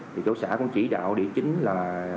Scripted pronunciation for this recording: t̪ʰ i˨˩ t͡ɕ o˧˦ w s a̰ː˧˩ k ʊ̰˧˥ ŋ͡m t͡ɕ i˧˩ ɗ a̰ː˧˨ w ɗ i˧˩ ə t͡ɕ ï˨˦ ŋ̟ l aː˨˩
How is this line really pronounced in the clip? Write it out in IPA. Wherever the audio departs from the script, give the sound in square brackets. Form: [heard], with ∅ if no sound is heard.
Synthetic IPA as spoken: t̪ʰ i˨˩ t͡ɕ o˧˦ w s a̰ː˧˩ k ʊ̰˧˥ ŋ͡m t͡ɕ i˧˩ ɗ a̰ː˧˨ w ɗ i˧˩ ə t͡ɕ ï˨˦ ŋ̟ l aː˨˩